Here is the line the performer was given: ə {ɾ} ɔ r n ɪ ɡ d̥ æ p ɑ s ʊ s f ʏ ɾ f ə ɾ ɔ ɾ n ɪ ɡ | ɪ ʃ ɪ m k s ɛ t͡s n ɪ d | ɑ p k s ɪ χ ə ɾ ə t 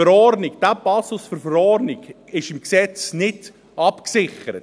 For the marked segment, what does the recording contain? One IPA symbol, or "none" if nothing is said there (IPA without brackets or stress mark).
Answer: ɾ